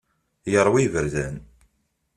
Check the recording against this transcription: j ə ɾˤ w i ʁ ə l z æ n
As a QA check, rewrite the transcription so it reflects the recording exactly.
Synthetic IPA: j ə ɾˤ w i v ə ɾ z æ n